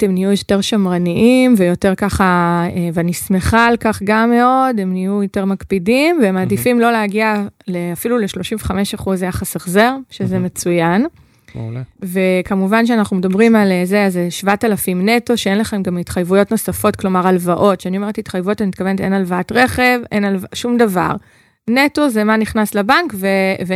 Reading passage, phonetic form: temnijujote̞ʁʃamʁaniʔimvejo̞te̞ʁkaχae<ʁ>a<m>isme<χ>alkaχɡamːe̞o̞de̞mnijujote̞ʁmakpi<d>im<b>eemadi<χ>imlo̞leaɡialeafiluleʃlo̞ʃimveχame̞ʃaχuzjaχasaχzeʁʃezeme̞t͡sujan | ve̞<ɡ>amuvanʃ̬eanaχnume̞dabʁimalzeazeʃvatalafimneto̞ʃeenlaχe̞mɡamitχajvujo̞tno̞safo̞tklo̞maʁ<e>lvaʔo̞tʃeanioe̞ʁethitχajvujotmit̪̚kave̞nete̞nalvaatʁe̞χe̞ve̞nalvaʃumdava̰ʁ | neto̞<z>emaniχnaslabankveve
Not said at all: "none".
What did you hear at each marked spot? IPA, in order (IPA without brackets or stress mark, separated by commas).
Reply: v, n, χ, d, v, f, k, a, z